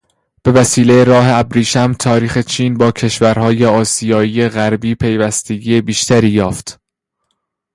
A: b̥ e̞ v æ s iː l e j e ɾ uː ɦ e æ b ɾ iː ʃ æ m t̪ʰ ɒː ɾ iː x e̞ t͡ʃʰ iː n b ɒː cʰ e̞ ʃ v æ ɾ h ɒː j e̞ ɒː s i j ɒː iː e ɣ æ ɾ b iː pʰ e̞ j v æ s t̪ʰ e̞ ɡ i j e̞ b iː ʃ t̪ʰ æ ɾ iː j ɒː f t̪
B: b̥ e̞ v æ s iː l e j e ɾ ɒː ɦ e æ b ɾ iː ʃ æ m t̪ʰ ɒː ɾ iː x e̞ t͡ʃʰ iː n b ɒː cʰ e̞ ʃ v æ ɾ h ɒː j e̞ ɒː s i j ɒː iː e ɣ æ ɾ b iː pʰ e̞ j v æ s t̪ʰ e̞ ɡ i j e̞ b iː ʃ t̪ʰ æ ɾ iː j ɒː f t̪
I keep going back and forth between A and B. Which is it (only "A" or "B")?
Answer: B